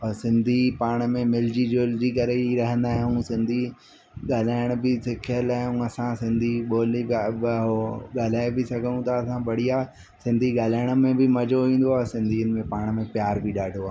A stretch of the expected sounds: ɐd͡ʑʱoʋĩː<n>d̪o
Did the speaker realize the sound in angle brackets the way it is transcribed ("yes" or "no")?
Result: yes